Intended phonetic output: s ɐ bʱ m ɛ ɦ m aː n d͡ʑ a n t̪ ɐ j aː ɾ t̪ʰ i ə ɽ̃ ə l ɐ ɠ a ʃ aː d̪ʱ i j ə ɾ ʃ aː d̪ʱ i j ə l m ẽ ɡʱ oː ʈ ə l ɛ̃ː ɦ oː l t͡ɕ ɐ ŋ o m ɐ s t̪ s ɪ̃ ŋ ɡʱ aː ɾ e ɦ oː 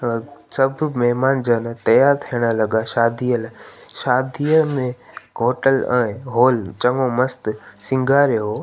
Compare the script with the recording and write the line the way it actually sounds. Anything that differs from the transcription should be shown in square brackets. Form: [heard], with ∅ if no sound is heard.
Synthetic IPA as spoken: s ɐ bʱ m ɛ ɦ m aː n d͡ʑ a n t̪ ɐ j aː ɾ t̪ʰ i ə ɽ̃ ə l ɐ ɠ a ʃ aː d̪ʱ i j ə [l] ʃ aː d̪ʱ i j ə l m ẽ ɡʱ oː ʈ ə l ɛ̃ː ɦ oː l t͡ɕ ɐ ŋ o m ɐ s t̪ s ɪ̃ ŋ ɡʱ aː ɾ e ɦ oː